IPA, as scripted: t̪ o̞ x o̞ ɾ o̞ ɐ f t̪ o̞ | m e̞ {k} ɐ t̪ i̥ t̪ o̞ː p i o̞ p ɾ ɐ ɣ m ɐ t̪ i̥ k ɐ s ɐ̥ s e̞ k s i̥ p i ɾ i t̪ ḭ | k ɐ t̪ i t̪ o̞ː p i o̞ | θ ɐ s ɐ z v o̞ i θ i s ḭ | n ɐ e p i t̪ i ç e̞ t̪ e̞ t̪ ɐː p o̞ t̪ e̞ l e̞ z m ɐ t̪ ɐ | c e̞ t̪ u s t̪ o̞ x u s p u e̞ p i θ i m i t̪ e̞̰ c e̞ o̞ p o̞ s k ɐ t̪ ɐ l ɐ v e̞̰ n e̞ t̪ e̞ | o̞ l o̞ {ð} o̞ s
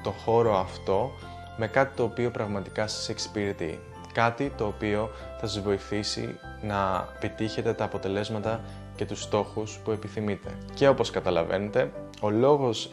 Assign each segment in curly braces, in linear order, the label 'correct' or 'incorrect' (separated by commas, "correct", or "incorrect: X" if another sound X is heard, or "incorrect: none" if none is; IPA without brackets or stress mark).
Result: correct, incorrect: ɣ